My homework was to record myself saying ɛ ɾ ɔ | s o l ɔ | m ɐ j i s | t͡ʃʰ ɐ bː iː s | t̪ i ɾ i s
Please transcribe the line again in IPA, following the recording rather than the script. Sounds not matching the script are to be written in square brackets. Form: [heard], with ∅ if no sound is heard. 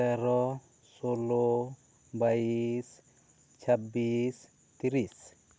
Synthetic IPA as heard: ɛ ɾ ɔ | s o l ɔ | [b] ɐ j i s | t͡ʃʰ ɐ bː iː s | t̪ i ɾ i s